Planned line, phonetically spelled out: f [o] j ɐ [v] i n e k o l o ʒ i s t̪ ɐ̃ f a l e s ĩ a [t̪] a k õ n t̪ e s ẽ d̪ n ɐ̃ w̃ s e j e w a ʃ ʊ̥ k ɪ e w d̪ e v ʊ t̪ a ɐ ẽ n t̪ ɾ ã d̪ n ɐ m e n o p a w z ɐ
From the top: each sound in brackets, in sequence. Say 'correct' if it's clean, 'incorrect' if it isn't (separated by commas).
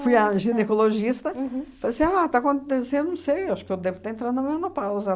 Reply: incorrect, incorrect, correct